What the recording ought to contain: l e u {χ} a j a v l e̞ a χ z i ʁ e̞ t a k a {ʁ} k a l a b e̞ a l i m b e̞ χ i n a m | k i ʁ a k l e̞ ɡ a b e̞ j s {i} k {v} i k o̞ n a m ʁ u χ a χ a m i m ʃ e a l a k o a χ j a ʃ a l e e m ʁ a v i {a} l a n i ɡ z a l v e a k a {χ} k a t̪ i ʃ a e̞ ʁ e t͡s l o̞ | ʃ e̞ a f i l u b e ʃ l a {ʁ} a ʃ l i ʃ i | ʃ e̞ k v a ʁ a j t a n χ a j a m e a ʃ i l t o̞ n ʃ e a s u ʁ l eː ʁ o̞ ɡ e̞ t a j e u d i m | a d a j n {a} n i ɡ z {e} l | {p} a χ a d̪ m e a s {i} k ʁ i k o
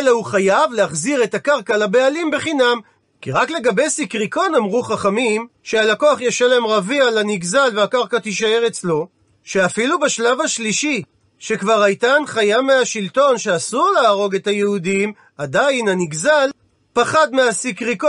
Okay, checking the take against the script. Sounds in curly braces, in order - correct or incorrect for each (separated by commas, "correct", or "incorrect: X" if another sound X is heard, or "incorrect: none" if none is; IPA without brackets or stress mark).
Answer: correct, correct, correct, incorrect: ʁ, correct, incorrect: ʁ, incorrect: v, correct, incorrect: a, correct, correct